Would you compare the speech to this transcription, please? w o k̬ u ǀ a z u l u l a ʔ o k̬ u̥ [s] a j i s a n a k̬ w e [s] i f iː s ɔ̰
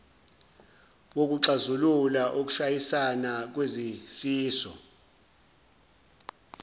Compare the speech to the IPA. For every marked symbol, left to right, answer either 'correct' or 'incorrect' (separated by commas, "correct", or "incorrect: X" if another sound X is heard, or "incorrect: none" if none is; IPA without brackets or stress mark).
incorrect: ʃ, incorrect: z